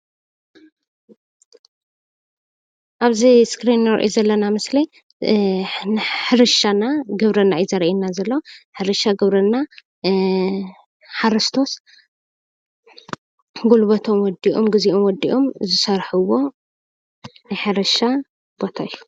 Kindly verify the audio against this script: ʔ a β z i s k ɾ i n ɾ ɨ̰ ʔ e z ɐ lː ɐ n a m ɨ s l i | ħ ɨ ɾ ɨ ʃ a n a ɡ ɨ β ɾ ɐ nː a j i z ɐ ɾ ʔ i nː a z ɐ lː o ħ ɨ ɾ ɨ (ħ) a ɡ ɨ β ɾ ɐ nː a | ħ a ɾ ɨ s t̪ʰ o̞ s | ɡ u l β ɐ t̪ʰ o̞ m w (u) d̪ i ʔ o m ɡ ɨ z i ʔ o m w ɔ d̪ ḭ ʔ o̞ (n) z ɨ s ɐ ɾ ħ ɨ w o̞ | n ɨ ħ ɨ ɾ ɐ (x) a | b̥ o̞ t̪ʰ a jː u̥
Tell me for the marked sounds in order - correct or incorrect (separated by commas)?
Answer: incorrect, incorrect, incorrect, incorrect